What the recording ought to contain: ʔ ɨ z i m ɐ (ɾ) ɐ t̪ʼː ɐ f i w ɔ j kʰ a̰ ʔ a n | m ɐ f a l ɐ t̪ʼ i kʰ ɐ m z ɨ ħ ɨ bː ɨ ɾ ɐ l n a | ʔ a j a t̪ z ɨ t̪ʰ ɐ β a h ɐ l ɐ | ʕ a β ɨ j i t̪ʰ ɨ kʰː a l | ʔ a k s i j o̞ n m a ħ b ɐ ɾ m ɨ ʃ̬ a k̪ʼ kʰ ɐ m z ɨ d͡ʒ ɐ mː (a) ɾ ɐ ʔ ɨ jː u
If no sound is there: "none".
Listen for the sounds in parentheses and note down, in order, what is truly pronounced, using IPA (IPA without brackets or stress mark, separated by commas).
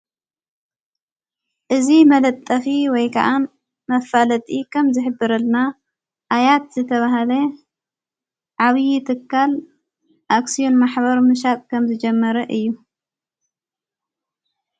l, ɐ